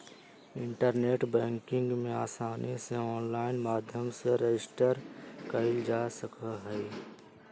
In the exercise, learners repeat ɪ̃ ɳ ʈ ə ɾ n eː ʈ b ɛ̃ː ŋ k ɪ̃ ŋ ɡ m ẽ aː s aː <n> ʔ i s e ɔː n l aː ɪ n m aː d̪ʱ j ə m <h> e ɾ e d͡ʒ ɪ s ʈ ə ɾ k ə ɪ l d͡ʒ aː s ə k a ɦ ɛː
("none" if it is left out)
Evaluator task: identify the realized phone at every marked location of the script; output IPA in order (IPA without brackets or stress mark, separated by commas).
n, s